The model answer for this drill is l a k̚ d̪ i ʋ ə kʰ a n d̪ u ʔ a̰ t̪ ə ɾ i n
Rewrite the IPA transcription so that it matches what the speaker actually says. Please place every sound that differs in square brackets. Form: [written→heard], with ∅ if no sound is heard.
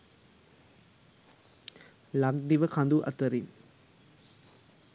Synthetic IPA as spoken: l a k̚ d̪ i ʋ ə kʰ a n d̪ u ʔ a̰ t̪ ə ɾ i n